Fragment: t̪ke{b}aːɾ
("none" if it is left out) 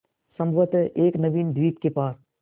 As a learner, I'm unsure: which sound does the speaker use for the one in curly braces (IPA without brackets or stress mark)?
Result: p